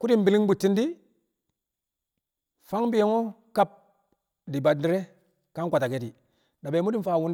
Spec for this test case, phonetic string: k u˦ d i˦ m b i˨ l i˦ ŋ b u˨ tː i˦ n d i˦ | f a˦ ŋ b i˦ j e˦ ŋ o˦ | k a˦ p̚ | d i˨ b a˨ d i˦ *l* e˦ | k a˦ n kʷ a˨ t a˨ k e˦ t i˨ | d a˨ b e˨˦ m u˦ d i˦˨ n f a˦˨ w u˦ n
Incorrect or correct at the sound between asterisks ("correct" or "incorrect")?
incorrect